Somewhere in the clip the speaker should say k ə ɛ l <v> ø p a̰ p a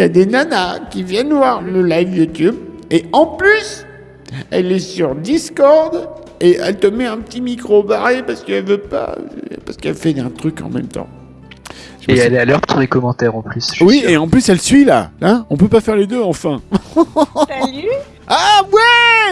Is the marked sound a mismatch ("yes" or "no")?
no